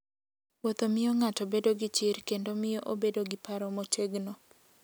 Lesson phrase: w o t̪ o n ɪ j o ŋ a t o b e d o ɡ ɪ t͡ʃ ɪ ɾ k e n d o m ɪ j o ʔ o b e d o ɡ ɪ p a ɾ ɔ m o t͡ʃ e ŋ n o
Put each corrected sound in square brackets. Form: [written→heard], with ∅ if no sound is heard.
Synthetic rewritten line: w o t̪ o [n→m] ɪ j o ŋ a t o b e d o ɡ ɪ t͡ʃ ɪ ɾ k e n d o m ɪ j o ʔ o b e d o ɡ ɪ p a ɾ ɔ m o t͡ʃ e [ŋ→ɡ] n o